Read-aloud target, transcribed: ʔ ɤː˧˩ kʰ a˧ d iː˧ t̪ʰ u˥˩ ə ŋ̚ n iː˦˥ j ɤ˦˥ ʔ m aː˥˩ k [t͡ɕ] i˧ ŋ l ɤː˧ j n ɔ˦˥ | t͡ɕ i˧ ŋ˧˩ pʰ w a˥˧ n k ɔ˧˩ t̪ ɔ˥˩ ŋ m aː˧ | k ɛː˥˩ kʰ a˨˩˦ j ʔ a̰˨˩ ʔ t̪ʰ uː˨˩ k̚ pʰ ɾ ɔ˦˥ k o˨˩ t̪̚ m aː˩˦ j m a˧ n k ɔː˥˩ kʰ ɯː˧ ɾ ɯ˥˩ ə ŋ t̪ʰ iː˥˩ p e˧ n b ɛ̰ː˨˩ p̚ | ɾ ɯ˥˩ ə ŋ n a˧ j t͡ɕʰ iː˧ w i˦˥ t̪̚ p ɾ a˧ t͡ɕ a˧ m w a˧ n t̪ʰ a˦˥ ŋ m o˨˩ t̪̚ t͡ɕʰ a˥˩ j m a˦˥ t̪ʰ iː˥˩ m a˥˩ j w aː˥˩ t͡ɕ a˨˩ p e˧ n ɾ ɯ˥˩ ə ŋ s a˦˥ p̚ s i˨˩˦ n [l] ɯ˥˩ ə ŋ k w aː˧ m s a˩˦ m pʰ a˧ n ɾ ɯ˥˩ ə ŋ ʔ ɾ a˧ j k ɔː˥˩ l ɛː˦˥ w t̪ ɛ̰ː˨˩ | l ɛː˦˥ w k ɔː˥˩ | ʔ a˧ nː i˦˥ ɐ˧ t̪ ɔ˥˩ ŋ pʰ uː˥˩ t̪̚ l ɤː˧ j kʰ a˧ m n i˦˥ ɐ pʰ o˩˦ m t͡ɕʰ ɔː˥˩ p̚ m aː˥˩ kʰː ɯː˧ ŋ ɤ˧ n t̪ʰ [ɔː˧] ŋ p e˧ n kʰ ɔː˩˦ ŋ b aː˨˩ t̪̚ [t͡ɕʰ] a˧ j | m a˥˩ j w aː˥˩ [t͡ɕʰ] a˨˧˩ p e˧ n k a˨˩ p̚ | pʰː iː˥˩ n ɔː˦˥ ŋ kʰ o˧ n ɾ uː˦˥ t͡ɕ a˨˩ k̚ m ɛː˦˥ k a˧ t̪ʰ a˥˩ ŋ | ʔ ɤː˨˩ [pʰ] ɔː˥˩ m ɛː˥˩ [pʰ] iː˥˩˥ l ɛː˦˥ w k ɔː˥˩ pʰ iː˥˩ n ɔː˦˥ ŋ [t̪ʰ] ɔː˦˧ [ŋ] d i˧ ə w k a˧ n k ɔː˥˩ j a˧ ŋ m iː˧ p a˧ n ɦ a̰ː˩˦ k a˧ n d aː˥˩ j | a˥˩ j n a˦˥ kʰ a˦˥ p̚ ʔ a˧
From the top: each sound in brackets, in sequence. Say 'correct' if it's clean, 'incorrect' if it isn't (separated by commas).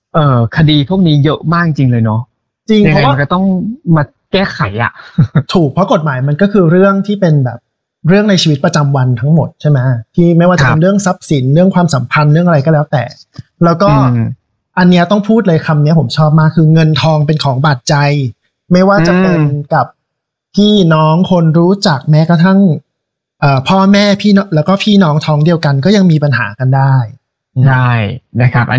correct, incorrect, correct, incorrect, incorrect, correct, correct, correct, correct